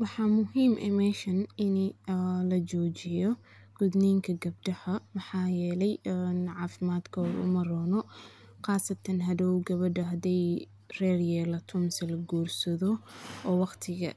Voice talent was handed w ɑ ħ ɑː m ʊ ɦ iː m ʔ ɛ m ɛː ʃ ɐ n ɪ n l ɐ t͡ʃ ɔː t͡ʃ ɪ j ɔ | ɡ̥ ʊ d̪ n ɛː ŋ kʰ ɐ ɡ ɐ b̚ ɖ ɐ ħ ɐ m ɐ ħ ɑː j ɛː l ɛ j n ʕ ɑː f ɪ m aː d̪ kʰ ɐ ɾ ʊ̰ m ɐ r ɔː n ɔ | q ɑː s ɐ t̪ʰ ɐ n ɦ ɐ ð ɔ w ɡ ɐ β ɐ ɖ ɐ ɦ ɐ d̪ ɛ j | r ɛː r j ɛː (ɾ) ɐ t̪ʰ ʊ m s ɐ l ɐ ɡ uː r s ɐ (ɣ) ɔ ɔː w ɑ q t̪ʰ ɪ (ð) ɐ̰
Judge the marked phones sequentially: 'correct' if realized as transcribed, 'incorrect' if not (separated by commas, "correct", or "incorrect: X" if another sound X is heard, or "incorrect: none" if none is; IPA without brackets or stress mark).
incorrect: l, incorrect: ð, incorrect: ɣ